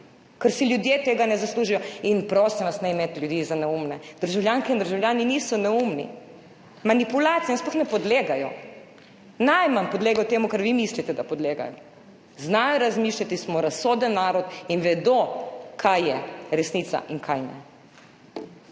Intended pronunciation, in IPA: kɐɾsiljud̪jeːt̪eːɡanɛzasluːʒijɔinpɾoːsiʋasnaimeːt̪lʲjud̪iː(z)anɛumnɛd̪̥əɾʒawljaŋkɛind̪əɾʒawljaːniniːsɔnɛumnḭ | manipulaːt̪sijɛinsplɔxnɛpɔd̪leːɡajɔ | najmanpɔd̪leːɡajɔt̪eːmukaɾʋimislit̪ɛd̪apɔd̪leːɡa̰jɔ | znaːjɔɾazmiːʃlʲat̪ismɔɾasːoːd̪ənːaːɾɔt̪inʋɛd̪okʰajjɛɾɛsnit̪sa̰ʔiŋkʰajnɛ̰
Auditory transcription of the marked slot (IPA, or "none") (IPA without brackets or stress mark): z